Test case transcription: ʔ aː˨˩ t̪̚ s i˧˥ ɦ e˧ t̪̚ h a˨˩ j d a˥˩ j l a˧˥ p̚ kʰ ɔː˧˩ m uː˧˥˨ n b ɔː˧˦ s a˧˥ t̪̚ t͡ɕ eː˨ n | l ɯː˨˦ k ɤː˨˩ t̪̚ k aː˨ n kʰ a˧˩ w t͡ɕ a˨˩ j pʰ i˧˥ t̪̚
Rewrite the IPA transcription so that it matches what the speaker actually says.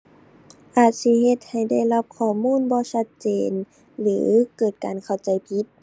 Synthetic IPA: ʔ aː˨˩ t̪̚ s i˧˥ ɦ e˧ t̪̚ h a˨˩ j d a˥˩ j l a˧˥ p̚ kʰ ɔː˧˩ m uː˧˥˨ n b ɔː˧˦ s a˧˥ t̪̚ t͡ɕ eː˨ n | l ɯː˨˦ k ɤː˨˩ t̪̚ k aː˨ n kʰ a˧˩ w t͡ɕ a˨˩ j pʰ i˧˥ t̪̚